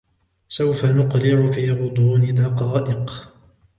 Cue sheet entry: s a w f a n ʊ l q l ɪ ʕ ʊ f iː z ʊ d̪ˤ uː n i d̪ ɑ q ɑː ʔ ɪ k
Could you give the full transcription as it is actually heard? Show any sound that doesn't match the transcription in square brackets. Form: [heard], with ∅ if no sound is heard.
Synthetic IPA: s a w f a n ʊ [∅] q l ɪ ʕ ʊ f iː [ɣ] ʊ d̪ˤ uː n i d̪ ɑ q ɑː ʔ ɪ [q]